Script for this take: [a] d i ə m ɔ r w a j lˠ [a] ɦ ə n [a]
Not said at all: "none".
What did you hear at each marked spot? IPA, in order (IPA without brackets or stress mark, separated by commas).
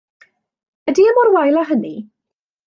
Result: ə, a, i